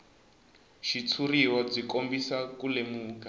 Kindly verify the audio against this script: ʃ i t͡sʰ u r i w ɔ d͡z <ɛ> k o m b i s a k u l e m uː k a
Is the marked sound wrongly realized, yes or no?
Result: yes